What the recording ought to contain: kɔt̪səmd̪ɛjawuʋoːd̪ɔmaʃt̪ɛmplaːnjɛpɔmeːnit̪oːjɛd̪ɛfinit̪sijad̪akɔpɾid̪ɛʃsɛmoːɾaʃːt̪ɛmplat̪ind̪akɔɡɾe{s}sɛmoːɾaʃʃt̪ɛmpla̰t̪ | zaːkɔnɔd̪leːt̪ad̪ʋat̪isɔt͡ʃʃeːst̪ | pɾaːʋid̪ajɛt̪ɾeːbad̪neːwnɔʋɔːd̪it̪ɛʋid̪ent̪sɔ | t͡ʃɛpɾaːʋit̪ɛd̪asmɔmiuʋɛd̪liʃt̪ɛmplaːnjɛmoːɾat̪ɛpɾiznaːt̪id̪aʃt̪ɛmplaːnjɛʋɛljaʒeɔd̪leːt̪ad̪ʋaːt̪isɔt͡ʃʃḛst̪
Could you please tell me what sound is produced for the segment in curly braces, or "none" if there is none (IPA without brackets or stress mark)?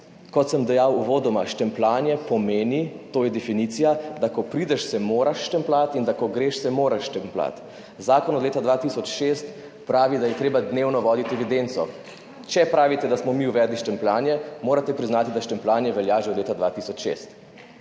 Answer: ʃ